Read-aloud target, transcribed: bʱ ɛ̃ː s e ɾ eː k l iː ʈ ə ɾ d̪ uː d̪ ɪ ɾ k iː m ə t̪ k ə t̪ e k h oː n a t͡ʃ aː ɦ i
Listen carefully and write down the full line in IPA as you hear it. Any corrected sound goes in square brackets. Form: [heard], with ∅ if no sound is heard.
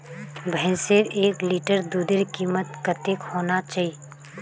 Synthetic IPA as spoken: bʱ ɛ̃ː s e ɾ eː k l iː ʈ ə ɾ d̪ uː d̪ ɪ ɾ k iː m ə t̪ k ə t̪ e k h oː n a t͡ʃ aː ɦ i